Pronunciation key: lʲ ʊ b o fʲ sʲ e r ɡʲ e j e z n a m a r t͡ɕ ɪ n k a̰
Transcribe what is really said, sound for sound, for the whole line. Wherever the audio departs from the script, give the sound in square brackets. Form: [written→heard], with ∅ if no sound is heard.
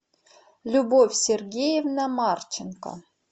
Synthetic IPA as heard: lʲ [ʊ→u] b o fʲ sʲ e r ɡʲ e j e [z→v] n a m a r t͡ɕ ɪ n k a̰